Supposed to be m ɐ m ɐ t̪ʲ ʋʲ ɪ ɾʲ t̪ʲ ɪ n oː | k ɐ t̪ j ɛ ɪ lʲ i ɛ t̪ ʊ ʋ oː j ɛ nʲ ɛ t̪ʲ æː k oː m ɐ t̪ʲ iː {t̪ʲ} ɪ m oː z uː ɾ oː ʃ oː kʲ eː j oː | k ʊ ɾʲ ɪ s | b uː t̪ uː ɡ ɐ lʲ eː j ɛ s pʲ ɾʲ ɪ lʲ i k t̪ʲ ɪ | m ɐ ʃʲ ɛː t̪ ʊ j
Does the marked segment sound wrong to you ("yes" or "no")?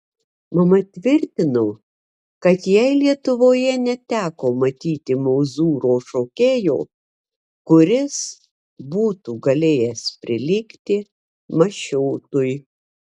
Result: no